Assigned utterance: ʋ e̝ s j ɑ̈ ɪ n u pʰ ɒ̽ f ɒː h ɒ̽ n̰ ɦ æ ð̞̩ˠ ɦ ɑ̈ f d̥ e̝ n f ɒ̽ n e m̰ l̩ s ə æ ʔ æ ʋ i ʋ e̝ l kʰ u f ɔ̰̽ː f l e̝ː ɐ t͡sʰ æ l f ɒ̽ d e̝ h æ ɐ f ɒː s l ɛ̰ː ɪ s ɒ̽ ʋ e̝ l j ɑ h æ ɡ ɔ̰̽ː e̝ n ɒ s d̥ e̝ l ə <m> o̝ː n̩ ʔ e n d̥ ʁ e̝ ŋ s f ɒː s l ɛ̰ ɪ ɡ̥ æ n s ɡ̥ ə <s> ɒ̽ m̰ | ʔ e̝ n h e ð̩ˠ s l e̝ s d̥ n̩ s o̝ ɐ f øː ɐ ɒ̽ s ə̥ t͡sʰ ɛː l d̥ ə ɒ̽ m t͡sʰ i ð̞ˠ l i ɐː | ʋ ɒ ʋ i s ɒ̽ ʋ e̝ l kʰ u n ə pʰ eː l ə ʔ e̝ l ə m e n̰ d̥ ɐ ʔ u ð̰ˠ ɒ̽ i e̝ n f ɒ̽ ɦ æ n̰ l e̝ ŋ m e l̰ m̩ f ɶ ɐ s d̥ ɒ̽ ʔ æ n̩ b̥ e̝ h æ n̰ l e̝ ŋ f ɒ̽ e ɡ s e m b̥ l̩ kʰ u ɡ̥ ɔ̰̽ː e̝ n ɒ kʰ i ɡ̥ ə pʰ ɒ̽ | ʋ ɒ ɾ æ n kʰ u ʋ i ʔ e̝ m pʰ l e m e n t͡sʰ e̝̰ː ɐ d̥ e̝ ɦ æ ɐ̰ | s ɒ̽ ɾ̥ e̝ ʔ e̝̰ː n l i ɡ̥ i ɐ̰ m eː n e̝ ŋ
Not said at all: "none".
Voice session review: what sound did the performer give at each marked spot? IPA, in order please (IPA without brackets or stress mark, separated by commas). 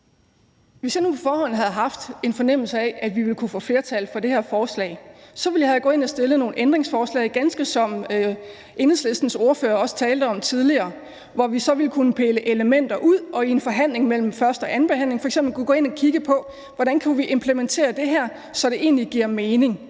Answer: n, s